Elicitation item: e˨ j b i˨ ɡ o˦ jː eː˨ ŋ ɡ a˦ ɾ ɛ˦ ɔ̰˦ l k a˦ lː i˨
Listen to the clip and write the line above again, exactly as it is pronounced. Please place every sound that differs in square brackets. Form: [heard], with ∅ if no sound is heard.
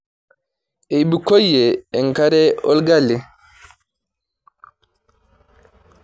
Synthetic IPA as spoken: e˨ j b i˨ [k] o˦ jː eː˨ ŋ [k] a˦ ɾ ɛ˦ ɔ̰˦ l [ɡ] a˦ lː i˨

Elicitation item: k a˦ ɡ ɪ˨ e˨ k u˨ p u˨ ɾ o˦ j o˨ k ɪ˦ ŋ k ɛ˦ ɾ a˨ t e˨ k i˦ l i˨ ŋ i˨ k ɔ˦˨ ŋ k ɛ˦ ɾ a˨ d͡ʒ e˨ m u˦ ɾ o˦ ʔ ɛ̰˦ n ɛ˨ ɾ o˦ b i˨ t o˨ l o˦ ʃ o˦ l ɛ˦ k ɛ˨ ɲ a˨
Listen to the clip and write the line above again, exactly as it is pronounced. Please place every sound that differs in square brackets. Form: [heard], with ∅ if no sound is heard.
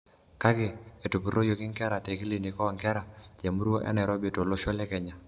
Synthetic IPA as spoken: k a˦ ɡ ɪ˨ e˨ [t] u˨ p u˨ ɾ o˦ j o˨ k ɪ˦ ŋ k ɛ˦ ɾ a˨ t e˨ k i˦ l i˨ [n] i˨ k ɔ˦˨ ŋ k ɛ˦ ɾ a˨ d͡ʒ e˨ m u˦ ɾ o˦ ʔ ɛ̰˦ n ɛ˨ ɾ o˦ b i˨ t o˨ l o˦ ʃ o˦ l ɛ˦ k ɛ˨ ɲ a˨

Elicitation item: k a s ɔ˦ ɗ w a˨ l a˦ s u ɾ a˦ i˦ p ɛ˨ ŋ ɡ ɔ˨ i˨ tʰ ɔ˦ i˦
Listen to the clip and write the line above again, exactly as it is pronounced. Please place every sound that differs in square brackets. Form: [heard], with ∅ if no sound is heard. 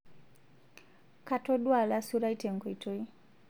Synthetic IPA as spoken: k a [t] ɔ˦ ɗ w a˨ l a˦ s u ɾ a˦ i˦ [t] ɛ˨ ŋ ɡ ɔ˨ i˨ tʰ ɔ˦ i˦

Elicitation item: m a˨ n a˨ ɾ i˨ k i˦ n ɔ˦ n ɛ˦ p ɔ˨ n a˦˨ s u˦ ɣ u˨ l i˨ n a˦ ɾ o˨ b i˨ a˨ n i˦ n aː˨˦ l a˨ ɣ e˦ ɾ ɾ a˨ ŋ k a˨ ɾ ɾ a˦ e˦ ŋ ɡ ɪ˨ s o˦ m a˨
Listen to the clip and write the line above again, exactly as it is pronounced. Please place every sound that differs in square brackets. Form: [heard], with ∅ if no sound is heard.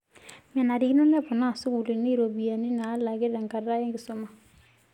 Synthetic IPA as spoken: m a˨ n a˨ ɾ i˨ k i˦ n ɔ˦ n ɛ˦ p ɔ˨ n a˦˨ s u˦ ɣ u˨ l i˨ n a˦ ɾ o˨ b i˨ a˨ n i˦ n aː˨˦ l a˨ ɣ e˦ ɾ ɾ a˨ ŋ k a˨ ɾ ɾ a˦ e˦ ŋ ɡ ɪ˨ s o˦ m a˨

